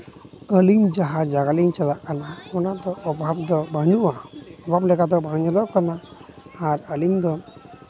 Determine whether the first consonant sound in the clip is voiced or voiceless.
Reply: voiced